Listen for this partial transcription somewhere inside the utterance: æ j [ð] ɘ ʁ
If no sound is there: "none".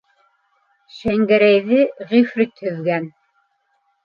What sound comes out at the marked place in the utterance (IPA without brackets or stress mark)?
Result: ð